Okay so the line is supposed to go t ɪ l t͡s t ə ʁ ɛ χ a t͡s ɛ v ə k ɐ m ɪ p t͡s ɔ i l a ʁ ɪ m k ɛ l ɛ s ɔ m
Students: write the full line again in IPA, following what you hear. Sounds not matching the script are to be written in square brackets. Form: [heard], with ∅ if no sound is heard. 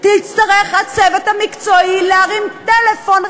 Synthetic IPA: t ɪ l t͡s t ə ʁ ɛ χ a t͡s ɛ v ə [t] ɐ m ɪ [k] t͡s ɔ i l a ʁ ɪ m [t] ɛ l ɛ [f] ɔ [n]